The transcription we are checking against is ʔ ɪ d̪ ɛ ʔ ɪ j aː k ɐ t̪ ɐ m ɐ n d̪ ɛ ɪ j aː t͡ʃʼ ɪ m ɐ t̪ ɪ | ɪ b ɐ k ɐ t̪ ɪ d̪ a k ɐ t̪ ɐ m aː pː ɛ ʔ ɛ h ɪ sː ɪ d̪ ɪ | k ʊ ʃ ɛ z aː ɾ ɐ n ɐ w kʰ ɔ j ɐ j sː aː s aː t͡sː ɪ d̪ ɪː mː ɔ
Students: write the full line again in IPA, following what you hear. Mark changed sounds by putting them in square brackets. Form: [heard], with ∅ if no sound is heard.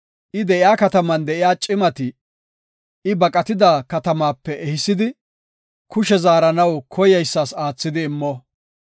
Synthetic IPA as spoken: ʔ ɪ d̪ ɛ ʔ ɪ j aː k ɐ t̪ ɐ m ɐ n d̪ ɛ ɪ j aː t͡ʃʼ ɪ m ɐ t̪ ɪ | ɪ b ɐ [kʼ] ɐ t̪ ɪ d̪ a k ɐ t̪ ɐ m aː pː ɛ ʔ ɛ h ɪ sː ɪ d̪ ɪ | k ʊ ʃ ɛ z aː ɾ ɐ n ɐ w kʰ ɔ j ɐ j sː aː s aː t͡sː ɪ d̪ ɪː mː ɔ